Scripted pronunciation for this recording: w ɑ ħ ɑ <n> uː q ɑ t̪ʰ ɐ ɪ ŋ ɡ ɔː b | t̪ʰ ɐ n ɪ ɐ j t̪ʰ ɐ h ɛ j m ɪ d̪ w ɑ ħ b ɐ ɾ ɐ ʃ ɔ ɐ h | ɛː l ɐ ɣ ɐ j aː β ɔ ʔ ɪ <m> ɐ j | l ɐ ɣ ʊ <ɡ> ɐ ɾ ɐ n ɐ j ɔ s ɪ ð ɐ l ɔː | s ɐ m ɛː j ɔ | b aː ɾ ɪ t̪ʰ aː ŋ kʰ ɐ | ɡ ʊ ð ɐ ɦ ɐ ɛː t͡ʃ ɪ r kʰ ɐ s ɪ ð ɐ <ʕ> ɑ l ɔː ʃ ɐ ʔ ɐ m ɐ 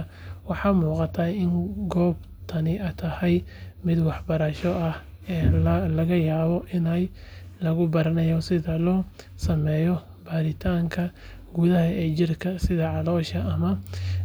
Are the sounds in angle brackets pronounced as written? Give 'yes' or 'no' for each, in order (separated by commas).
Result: no, no, no, yes